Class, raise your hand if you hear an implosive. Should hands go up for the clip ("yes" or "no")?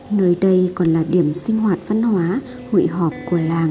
yes